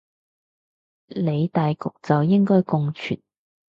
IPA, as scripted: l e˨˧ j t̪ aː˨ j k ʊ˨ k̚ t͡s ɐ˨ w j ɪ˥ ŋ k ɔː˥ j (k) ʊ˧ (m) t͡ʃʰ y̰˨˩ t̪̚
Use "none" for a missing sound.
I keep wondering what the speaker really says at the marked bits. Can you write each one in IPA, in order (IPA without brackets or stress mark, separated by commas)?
k, ŋ